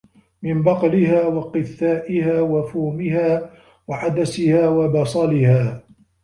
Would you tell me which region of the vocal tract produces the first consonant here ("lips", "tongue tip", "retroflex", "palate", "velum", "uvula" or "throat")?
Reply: lips